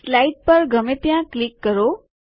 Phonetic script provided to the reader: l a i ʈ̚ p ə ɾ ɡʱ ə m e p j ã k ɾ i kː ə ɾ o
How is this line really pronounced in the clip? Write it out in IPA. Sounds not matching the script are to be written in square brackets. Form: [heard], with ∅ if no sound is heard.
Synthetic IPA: l a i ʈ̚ p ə ɾ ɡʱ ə m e p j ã k [l] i kː ə ɾ o